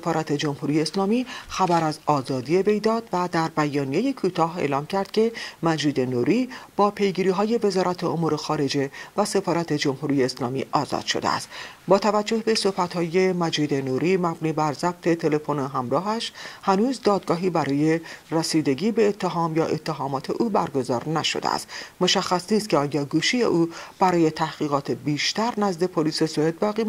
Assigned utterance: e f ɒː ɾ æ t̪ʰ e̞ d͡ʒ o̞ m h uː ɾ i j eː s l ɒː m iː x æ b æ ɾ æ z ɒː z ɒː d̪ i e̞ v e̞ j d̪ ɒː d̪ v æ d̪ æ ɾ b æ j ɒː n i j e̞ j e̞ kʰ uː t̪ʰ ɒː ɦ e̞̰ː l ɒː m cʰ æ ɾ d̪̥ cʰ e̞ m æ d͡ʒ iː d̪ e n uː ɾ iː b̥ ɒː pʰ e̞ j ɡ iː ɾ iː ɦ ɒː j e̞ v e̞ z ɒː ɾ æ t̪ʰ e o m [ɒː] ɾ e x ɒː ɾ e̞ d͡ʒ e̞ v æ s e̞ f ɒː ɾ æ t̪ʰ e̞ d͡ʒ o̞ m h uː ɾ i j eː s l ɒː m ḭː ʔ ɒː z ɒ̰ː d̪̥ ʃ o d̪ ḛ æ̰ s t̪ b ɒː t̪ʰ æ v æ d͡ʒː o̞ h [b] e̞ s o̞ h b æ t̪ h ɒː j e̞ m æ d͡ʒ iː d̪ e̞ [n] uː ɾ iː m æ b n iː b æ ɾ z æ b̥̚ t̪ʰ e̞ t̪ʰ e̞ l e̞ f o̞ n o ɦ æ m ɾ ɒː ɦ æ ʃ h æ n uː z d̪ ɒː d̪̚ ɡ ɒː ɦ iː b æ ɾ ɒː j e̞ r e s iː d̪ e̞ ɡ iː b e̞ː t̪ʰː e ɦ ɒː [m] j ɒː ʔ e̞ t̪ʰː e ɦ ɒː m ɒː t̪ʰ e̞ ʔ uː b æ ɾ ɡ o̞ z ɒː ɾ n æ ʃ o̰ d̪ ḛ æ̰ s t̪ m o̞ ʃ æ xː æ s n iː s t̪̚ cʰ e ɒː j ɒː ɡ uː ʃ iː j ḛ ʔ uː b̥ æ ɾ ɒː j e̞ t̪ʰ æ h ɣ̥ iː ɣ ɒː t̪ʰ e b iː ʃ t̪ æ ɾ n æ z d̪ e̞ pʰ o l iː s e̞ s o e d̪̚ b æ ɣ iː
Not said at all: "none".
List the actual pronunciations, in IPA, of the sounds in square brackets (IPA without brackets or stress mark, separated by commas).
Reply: uː, b, n, m